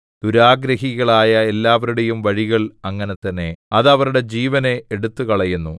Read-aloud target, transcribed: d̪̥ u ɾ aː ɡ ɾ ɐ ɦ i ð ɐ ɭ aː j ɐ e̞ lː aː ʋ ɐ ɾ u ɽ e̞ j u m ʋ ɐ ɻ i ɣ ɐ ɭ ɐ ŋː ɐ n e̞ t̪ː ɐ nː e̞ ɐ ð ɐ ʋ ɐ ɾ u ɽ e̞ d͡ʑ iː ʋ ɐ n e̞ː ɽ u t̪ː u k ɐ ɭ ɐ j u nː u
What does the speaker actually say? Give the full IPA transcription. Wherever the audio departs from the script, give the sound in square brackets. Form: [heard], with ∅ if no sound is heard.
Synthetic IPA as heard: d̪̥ u ɾ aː ɡ ɾ ɐ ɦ i [ɣ] ɐ ɭ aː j ɐ e̞ lː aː ʋ ɐ ɾ u ɽ e̞ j u m ʋ ɐ ɻ i ɣ ɐ ɭ ɐ ŋː ɐ n e̞ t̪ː ɐ nː e̞ ɐ ð ɐ ʋ ɐ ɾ u ɽ e̞ d͡ʑ iː ʋ ɐ n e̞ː ɽ u t̪ː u k ɐ ɭ ɐ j u nː u

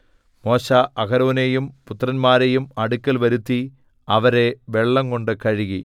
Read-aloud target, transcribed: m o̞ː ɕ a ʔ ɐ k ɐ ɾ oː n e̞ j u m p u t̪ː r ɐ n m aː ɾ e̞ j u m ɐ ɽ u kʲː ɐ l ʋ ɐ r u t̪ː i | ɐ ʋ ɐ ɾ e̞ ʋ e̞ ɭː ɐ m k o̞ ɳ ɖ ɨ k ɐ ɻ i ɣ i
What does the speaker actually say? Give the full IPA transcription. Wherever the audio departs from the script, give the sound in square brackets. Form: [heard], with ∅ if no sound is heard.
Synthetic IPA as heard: m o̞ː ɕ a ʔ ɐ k ɐ ɾ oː n e̞ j u m p u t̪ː r ɐ n m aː ɾ e̞ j u m ɐ ɽ u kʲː ɐ l ʋ ɐ [ɾ] u t̪ː i | ɐ ʋ ɐ ɾ e̞ ʋ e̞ ɭː ɐ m k o̞ ɳ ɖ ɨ k ɐ ɻ i ɣ i

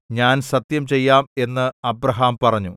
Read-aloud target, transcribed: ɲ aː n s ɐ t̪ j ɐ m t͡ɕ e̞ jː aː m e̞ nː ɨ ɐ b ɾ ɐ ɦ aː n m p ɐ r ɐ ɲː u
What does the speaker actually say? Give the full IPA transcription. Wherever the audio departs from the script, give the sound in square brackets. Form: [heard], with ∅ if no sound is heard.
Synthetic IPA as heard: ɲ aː n s ɐ t̪ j ɐ m t͡ɕ e̞ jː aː m e̞ nː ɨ ɐ b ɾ ɐ ɦ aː [∅] m p ɐ r ɐ ɲː u

